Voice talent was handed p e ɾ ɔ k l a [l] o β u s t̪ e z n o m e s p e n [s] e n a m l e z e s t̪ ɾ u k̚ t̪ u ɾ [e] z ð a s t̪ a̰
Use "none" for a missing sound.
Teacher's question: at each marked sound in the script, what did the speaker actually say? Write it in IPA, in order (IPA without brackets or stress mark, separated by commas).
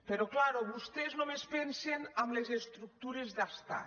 ɾ, s, e